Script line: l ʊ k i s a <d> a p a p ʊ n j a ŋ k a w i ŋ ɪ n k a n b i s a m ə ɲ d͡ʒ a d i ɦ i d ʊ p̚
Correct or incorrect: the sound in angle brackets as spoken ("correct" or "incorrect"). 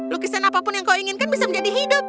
incorrect